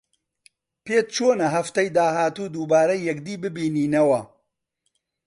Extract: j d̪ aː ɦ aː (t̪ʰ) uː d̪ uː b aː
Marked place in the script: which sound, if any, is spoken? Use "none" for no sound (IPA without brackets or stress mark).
t̪